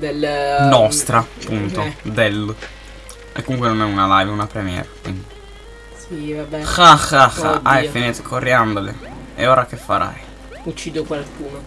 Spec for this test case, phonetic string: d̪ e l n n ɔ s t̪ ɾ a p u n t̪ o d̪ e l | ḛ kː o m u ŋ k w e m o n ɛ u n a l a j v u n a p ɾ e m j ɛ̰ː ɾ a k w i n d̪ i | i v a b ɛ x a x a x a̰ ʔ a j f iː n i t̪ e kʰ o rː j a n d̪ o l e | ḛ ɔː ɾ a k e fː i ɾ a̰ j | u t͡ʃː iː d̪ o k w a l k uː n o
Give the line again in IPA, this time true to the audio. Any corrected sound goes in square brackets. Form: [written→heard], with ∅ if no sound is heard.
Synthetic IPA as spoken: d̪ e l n n ɔ s t̪ ɾ a p u n t̪ o d̪ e l | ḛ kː o m u ŋ k w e [m→n] o n ɛ u n a l a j v u n a p ɾ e m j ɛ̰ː ɾ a k w i n d̪ i | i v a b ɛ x a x a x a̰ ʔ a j f [iː→i] n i t̪ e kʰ o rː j a n d̪ o l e | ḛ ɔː ɾ a k e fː [i→a] ɾ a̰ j | u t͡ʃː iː d̪ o k w a l k uː n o